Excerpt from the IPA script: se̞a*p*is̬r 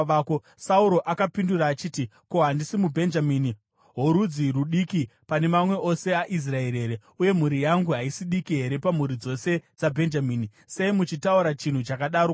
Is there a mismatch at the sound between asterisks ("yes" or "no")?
yes